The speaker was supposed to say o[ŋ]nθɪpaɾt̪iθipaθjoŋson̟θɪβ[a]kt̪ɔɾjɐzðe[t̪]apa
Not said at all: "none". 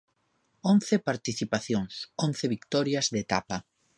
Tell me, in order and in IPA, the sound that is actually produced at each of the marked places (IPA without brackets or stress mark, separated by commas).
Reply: none, i, t̪